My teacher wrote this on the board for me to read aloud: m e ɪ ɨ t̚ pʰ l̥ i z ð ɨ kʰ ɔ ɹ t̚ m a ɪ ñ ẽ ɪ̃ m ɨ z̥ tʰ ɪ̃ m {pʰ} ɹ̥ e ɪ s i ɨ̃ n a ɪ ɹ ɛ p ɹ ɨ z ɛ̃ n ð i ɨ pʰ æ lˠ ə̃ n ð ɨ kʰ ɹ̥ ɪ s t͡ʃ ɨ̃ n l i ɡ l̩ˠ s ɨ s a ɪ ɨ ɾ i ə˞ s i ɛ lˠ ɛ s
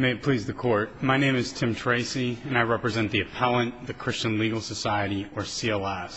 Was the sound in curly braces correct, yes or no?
no